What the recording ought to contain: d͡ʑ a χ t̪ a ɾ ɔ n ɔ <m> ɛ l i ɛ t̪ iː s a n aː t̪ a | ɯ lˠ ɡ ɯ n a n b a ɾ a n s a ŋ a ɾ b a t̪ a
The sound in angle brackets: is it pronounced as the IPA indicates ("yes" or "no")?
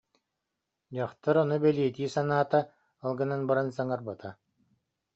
no